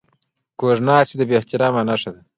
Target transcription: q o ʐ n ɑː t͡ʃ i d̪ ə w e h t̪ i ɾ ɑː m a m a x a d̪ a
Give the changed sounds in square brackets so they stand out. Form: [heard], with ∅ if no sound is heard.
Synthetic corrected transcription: [k] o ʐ n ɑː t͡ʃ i d̪ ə [b] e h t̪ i ɾ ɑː m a [n] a [ʂ] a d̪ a